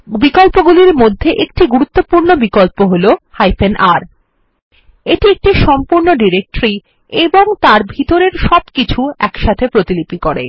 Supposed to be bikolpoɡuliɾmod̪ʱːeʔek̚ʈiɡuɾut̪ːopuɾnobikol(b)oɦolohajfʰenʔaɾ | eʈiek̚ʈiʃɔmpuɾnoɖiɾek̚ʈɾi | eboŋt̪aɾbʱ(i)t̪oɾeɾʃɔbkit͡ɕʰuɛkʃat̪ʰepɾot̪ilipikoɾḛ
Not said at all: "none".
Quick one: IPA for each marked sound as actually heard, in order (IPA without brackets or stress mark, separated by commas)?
p, i